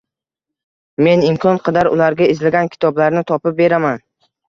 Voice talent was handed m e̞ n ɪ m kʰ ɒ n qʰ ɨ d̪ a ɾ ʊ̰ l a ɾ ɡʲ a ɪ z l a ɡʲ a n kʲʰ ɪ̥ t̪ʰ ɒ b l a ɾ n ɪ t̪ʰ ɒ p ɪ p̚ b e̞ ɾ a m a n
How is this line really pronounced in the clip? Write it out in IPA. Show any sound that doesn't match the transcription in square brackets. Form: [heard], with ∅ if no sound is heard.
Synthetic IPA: m e̞ n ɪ m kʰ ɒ n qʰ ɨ d̪ a ɾ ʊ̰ l a ɾ ɡʲ a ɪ z l a ɡʲ a n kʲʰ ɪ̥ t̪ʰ ɒ b l a ɾ n ɪ t̪ʰ ɒ p ɪ p̚ b e̞ ɾ a m a n